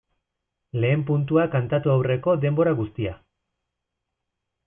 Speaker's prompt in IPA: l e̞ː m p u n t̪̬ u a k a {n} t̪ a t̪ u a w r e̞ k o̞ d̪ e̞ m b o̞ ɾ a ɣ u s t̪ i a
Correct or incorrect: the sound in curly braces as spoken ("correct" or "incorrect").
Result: correct